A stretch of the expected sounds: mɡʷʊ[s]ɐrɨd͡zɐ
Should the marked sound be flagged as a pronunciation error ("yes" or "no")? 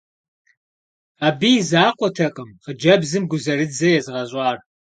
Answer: yes